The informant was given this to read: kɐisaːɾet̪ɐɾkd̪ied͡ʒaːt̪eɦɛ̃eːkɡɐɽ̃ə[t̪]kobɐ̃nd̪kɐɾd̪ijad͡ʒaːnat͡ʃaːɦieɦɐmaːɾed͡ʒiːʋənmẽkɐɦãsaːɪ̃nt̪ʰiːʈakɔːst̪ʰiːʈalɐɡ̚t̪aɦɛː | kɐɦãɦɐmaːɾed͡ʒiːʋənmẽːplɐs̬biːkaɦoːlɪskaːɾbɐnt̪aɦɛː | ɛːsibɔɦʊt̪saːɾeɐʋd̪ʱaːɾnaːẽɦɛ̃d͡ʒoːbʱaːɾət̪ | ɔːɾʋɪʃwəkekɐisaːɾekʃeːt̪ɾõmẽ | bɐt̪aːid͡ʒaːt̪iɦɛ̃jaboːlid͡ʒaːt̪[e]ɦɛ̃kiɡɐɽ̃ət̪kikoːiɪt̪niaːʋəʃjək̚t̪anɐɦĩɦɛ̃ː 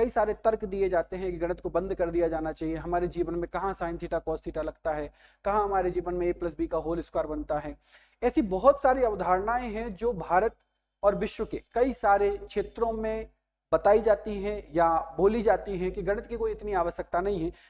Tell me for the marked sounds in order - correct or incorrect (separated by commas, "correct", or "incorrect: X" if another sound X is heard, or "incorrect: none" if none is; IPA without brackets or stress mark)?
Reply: correct, incorrect: i